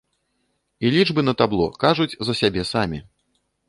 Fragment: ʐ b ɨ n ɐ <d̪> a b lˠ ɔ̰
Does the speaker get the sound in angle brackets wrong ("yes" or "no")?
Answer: yes